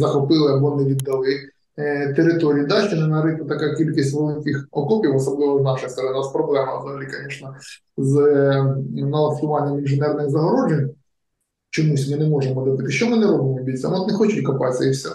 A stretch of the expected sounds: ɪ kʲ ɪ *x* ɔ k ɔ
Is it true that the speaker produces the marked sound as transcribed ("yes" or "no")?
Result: yes